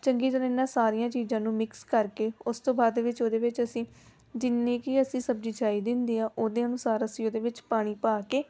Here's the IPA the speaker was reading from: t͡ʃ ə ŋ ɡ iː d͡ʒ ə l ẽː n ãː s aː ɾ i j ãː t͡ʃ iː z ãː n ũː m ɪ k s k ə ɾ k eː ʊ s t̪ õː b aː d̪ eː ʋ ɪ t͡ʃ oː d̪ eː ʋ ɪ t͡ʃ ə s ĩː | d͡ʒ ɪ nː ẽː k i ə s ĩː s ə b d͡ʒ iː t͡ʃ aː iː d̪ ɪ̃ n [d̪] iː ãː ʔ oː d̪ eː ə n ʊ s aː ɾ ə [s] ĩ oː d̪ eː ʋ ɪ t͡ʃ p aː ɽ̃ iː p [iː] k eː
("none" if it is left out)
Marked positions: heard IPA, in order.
d̪, s, aː

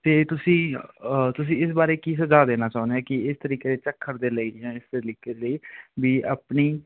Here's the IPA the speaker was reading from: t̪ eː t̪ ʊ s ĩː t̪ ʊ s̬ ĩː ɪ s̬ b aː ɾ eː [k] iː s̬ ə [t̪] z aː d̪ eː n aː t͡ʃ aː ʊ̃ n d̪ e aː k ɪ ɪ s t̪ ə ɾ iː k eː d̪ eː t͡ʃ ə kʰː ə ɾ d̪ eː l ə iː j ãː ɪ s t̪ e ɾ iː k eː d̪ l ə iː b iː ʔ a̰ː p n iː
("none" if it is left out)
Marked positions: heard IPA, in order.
k, none

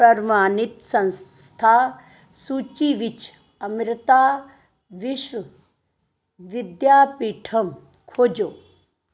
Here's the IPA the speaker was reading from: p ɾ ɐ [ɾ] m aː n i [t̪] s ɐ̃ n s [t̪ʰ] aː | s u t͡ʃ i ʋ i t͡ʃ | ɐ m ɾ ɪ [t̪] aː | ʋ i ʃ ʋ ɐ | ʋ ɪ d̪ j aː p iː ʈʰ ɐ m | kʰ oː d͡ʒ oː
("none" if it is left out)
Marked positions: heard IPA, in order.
ɾ, t̪, t̪ʰ, t̪

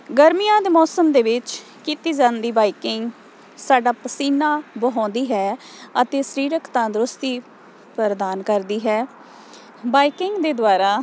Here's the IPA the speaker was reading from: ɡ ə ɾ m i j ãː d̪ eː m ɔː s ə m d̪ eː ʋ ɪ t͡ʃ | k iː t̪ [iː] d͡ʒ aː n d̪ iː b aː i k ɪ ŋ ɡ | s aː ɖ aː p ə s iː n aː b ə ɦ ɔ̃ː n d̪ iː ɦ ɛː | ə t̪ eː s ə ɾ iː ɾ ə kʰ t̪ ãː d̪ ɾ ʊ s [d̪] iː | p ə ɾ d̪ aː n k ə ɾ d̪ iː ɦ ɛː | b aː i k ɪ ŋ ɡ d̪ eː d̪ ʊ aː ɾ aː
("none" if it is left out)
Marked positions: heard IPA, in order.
iː, t̪

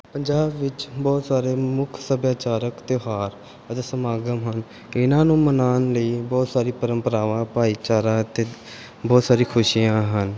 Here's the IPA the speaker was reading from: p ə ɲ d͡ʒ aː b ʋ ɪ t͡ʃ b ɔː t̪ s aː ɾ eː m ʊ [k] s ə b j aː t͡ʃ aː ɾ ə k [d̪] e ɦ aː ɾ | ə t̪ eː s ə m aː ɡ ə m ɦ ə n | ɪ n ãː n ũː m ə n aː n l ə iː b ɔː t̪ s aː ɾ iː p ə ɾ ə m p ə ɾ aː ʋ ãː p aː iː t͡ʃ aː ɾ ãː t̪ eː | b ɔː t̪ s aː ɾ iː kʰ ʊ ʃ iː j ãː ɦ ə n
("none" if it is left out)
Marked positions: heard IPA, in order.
kʰ, t̪

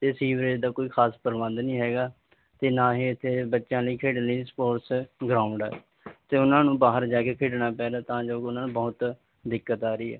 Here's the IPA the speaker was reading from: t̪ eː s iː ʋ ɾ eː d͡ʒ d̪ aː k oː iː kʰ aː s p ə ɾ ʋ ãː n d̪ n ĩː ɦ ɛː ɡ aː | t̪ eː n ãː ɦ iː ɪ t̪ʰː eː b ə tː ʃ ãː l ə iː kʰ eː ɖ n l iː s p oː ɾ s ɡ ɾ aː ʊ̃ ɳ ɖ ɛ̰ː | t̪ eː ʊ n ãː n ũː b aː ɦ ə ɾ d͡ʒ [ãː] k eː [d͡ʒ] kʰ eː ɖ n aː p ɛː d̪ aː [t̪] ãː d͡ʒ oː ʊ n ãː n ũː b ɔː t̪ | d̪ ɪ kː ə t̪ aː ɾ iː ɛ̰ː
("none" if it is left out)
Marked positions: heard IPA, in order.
aː, none, t̪

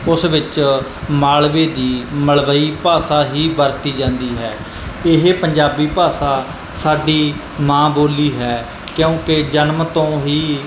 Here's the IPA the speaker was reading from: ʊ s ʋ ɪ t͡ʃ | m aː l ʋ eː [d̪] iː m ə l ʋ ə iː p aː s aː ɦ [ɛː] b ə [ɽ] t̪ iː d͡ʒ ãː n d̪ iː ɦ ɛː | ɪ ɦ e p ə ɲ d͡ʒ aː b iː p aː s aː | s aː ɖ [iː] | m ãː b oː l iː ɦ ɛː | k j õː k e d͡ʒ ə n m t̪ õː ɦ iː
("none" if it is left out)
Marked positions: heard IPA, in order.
d̪, iː, ɾ, iː

